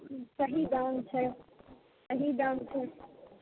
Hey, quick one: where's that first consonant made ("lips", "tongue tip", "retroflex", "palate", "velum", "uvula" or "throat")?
tongue tip